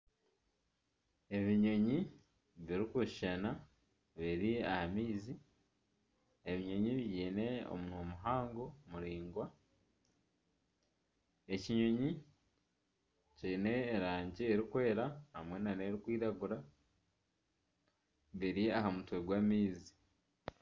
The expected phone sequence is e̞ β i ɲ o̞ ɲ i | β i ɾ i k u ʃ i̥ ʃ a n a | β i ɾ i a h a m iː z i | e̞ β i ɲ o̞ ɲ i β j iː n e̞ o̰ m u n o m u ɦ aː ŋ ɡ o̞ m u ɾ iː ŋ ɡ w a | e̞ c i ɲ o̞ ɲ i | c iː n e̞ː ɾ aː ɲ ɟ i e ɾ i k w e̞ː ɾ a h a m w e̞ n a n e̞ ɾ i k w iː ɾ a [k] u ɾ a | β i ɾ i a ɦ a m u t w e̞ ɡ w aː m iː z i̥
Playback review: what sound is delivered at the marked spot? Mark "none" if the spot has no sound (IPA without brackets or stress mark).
ɡ